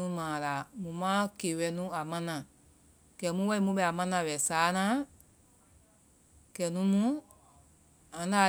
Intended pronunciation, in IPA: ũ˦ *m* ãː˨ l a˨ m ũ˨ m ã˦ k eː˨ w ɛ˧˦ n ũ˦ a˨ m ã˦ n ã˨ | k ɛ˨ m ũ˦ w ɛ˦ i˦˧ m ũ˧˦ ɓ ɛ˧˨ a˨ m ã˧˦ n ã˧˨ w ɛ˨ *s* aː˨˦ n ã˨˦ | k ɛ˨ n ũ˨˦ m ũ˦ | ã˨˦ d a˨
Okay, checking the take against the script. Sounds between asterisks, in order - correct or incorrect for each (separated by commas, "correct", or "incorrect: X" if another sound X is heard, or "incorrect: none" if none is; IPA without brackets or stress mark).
correct, correct